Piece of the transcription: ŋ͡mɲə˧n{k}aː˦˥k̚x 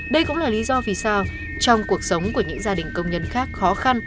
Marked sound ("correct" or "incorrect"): incorrect